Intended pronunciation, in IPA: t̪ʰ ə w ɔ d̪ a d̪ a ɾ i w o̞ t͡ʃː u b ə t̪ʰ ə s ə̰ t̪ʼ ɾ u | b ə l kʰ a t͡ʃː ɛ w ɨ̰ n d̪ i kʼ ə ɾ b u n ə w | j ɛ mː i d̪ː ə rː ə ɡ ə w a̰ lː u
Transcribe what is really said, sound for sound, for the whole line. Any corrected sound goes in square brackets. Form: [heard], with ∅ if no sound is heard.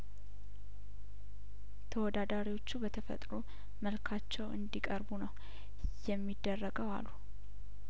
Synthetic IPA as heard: t̪ʰ ə w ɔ d̪ a d̪ a ɾ i w o̞ t͡ʃː u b ə t̪ʰ ə [f] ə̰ t̪ʼ ɾ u | [m] ə l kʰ a t͡ʃː ɛ w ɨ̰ n d̪ i kʼ ə ɾ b u n ə w | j ɛ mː i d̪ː ə rː ə ɡ ə w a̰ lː u